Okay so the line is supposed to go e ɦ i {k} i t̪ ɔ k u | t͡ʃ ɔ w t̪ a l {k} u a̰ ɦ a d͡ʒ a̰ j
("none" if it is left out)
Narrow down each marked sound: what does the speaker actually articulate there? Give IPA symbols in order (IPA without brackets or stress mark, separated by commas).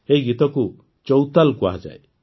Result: ɡ, k